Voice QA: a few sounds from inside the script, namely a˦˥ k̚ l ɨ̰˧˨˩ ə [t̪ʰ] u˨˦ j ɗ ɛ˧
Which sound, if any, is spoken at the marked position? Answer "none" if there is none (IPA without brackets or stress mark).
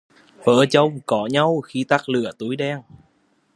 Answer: t̪